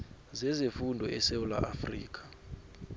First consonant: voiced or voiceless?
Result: voiced